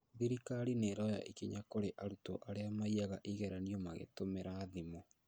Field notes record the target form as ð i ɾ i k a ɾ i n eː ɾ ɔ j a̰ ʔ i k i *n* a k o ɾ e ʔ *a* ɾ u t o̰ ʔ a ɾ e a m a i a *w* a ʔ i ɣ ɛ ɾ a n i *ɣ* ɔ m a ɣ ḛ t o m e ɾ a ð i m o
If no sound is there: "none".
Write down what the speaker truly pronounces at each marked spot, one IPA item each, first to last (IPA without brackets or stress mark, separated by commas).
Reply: ɲ, a, ɣ, none